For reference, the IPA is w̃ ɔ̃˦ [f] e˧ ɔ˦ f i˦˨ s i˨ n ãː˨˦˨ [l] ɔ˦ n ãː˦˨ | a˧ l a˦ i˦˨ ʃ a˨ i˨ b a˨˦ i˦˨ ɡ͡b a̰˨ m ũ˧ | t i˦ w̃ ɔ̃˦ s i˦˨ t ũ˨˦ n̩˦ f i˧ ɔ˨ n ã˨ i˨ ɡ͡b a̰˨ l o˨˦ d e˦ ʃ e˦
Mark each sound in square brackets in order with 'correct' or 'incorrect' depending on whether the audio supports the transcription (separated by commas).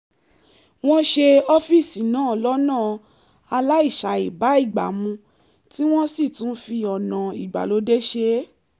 incorrect, correct